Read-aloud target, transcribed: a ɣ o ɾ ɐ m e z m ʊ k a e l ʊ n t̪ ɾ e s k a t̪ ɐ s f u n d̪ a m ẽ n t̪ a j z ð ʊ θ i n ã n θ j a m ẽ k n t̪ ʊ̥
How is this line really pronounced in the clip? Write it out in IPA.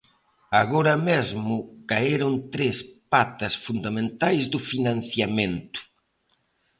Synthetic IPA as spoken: a ɣ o ɾ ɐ m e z m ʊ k a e ɾ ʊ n t̪ ɾ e s p a t̪ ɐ s f u n d̪ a m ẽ n t̪ a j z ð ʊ f i n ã n θ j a m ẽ n t̪ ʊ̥